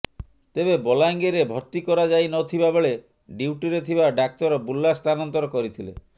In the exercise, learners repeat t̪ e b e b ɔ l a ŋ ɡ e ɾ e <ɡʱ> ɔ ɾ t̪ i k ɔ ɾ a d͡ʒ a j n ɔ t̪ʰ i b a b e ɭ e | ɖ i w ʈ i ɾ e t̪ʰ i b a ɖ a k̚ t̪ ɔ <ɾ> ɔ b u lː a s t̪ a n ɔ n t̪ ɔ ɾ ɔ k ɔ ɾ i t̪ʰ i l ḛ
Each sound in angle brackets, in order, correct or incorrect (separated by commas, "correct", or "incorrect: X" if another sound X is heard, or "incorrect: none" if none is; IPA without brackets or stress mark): incorrect: bʱ, correct